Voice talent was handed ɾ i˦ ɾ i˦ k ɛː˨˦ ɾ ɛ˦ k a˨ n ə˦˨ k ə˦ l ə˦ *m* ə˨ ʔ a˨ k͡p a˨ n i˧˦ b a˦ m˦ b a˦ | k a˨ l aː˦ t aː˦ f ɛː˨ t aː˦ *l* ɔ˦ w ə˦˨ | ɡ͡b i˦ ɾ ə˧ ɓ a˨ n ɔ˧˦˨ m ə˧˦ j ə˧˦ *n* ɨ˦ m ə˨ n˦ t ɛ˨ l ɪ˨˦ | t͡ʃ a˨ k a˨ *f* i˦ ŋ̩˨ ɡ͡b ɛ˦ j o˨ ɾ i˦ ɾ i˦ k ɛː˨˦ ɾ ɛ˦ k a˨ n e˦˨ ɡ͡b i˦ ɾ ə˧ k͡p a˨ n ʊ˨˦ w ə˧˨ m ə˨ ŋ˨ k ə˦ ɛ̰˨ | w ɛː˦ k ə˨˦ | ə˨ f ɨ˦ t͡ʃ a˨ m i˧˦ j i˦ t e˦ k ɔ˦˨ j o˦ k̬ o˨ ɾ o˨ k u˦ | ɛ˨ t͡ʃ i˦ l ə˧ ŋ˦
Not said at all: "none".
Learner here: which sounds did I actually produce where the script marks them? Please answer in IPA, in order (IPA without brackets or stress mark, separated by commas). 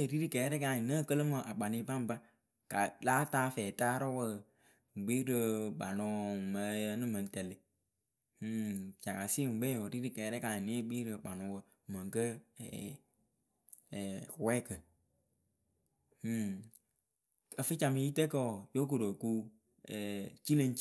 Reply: m, ɾ, n, s